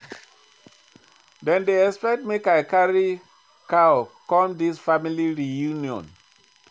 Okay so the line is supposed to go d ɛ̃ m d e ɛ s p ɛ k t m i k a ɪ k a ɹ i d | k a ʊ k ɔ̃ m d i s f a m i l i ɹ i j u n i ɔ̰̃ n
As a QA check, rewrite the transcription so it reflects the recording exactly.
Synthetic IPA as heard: d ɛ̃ n d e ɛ s p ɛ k t m e k a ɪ k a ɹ i | k a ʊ k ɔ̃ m d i s f a m i l i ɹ i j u n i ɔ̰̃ n